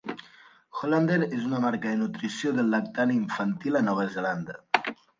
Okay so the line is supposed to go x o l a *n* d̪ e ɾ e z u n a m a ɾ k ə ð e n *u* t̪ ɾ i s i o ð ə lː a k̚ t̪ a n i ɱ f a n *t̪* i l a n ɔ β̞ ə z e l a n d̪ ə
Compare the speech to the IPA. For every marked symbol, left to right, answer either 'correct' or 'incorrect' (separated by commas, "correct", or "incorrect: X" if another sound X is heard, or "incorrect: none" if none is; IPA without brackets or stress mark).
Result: correct, correct, correct